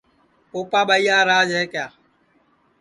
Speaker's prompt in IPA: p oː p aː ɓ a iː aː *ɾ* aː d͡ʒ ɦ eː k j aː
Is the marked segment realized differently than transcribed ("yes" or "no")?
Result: no